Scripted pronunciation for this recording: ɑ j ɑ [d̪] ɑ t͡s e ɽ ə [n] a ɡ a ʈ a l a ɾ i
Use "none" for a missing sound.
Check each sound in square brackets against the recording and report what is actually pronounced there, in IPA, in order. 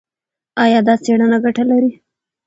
d̪, n

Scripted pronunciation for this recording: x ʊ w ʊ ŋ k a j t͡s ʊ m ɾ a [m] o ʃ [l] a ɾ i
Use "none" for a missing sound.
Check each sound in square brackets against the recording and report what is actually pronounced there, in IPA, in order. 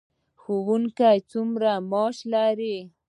m, l

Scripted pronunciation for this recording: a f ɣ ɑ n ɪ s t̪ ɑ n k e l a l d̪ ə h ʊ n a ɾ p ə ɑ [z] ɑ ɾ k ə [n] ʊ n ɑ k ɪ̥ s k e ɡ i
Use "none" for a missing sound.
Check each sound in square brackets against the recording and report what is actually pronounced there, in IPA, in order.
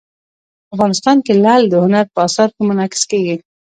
s, m

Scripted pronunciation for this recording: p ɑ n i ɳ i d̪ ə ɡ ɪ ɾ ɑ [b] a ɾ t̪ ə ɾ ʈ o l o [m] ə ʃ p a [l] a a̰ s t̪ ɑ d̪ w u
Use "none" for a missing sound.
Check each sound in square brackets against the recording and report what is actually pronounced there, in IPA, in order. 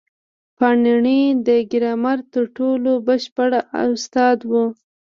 m, b, ɽ

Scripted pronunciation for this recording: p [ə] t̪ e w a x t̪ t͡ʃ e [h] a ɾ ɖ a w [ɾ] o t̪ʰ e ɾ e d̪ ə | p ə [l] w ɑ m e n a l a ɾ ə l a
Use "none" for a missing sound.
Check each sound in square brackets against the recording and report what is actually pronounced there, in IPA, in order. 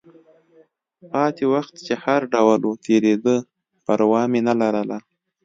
ɑ, h, l, ɾ

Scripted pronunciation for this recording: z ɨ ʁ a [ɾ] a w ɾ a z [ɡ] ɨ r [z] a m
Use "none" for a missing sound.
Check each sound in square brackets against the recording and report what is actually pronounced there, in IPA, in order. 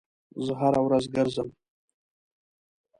ɾ, ɡ, z

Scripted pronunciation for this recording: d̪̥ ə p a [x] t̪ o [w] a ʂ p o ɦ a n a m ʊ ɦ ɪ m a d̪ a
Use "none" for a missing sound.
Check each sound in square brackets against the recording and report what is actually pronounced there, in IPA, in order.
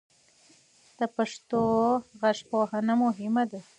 ʂ, ɣ

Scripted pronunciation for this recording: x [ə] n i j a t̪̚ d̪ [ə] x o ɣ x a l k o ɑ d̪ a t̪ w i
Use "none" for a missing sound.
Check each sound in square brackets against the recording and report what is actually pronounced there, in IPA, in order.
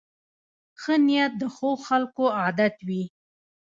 ə, ə

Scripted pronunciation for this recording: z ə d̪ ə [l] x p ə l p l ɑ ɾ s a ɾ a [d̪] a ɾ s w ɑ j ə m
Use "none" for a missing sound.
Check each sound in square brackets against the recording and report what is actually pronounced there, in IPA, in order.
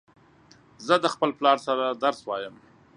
none, d̪

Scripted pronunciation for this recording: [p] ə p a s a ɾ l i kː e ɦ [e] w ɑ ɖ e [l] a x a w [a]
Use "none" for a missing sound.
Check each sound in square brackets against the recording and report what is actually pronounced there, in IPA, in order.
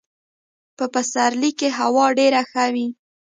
p, a, ɾ, i

